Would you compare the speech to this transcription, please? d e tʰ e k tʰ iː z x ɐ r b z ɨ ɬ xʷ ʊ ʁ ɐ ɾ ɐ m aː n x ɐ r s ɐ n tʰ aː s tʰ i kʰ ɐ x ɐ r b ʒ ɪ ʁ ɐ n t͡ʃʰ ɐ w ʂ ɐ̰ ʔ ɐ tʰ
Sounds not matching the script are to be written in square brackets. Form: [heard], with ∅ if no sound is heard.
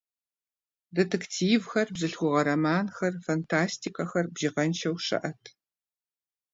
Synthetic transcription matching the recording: d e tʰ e k tʰ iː [v] x ɐ r b z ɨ ɬ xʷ ʊ ʁ ɐ ɾ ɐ m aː n x ɐ r [f] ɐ n tʰ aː s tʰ i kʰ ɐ x ɐ r b ʒ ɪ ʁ ɐ n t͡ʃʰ ɐ w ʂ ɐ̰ ʔ ɐ tʰ